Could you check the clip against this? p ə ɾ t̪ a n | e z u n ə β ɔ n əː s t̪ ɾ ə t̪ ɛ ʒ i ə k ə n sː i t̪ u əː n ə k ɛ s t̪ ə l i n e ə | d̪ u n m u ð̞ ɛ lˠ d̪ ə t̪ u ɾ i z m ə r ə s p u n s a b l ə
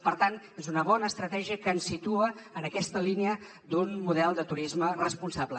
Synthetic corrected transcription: p ə ɾ t̪ a n | e z u n ə β ɔ n əː s t̪ ɾ ə t̪ ɛ ʒ i ə k ə n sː i t̪ u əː n ə k ɛ s t̪ ə l i n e ə | d̪ u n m u ð̞ ɛ lˠ d̪ ə t̪ u ɾ i z m ə r ə s p u n s a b l ə